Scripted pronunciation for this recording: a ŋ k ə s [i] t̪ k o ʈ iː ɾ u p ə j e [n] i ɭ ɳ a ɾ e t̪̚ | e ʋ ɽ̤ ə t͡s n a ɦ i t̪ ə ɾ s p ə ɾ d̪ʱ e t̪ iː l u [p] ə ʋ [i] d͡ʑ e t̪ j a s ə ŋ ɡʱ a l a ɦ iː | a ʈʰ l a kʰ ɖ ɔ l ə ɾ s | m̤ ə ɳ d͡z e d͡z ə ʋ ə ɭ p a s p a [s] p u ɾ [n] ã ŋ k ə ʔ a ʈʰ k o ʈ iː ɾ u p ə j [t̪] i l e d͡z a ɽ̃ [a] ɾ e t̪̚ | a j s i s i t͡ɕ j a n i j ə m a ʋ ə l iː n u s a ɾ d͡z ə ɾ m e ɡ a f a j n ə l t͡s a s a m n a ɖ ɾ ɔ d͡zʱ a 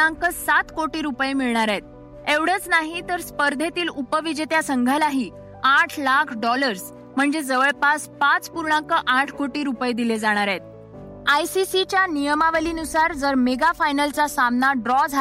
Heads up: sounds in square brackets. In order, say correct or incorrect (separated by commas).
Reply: incorrect, incorrect, correct, correct, incorrect, incorrect, incorrect, correct